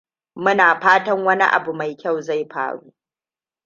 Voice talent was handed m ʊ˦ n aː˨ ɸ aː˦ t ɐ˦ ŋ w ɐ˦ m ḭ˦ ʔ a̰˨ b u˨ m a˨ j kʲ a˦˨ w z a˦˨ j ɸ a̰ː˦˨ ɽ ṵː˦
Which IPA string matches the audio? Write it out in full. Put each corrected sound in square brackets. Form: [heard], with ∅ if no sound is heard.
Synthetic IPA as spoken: m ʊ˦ n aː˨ ɸ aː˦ t ɐ˦ ŋ w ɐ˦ [n] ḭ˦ ʔ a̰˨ b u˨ m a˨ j kʲ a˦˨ w z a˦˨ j ɸ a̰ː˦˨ ɽ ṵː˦

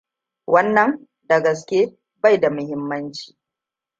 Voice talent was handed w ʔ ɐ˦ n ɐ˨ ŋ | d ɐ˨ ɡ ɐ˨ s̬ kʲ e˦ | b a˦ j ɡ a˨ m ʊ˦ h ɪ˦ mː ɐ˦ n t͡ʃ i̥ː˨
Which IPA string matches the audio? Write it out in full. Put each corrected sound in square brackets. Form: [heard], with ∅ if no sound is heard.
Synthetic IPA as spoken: w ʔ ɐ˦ [nː] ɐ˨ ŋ | d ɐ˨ ɡ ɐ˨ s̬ kʲ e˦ | b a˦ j [d] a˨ m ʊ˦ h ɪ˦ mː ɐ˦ n t͡ʃ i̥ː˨

